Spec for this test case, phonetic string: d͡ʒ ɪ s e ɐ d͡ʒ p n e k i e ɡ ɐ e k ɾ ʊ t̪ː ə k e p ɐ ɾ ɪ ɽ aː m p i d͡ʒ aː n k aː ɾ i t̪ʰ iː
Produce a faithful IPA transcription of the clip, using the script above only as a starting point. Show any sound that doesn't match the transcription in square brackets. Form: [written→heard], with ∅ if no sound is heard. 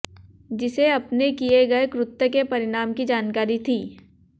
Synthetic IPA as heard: d͡ʒ ɪ s e ɐ [d͡ʒ→∅] p n e k i e ɡ ɐ e k ɾ ʊ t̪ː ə k e p ɐ ɾ ɪ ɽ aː m [p→k] i d͡ʒ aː n k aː ɾ i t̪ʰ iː